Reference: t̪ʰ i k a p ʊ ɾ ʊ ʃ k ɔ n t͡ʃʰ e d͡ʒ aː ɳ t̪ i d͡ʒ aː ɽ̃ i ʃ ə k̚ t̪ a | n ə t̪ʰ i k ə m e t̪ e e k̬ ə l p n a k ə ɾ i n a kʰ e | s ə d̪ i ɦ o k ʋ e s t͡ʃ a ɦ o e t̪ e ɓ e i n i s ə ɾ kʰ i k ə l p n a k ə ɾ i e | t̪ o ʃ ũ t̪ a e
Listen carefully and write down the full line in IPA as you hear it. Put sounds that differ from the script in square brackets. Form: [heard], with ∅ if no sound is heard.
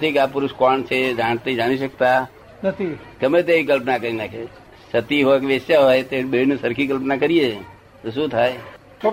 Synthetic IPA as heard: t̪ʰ i k a p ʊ ɾ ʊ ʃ k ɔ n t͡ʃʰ e d͡ʒ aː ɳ t̪ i d͡ʒ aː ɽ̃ i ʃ ə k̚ t̪ a | n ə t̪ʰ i k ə m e t̪ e [i] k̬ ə l p n a k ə ɾ i n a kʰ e | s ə [t̪] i ɦ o k ʋ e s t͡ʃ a ɦ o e t̪ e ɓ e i n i s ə ɾ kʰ i k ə l p n a k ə ɾ i e | t̪ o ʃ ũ [t̪ʰ] a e